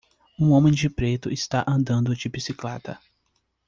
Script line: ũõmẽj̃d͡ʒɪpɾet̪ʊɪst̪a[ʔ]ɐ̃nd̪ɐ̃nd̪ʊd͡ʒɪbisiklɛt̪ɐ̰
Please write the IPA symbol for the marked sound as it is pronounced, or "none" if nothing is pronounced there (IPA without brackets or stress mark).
ʔ